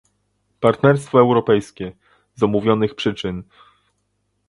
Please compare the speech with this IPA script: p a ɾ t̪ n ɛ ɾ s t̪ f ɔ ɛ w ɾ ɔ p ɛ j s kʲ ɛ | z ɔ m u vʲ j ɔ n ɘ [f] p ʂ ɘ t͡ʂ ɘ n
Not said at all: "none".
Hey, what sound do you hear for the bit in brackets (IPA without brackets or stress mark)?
x